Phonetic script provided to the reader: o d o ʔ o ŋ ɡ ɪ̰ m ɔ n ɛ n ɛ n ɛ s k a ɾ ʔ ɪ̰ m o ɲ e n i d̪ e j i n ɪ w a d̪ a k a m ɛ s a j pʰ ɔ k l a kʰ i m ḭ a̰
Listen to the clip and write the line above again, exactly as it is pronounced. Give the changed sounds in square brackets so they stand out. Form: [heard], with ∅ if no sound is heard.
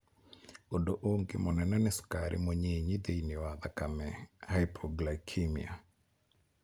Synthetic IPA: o d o ʔ o ŋ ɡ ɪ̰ m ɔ n ɛ n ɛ n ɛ s k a ɾ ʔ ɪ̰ m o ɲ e [ɲ] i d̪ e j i n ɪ w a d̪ a k a m ɛ [h] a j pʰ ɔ [ɡ] l a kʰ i m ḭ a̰